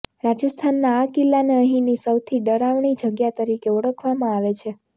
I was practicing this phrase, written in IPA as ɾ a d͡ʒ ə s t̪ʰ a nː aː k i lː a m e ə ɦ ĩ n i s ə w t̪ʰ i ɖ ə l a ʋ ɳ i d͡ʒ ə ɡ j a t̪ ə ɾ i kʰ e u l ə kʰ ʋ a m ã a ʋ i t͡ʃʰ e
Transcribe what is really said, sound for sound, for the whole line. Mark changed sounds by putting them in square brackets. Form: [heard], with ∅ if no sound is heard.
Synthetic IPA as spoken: ɾ a d͡ʒ ə s t̪ʰ a nː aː k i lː a [n] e ə ɦ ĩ n i s ə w t̪ʰ i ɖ ə [ɾ] a ʋ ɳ i d͡ʒ ə ɡ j a t̪ ə ɾ i [k] e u [ɽ] ə kʰ ʋ a m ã a ʋ [e] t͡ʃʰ e